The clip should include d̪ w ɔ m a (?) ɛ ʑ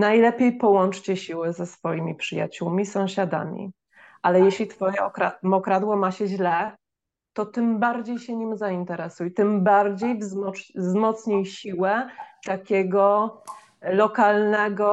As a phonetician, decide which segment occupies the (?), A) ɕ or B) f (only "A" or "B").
A